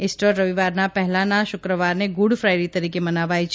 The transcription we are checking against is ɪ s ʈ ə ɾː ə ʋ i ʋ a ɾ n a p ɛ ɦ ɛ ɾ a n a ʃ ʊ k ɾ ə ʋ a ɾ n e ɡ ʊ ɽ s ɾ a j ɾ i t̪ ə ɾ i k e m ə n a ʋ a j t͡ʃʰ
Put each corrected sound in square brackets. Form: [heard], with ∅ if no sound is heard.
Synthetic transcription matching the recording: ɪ s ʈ ə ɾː ə ʋ i ʋ a ɾ n a p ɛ ɦ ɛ [l] a n a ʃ ʊ k ɾ ə ʋ a ɾ n e ɡ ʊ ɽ [f] ɾ a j ɾ i t̪ ə ɾ i k e m ə n a ʋ a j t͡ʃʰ